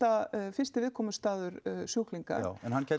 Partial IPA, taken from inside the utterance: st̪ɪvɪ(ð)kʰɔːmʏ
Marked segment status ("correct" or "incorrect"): correct